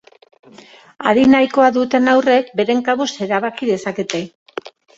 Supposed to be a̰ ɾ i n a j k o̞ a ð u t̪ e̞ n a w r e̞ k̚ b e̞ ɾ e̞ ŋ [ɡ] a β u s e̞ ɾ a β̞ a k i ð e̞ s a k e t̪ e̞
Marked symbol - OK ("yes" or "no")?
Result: no